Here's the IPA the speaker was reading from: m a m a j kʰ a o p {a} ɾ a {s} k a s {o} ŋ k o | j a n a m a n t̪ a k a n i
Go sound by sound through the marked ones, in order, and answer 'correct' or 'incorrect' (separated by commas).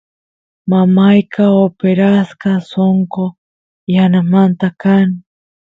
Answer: incorrect, correct, correct